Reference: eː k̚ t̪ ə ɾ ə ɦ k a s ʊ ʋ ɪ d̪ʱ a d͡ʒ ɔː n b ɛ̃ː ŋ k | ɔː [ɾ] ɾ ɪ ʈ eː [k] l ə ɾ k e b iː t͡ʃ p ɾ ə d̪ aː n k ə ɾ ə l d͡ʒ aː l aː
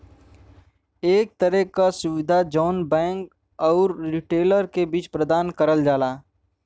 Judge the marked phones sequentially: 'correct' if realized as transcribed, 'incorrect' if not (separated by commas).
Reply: correct, incorrect